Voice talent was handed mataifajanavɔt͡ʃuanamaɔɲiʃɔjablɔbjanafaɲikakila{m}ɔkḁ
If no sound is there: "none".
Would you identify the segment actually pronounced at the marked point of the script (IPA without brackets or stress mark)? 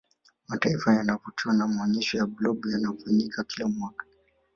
m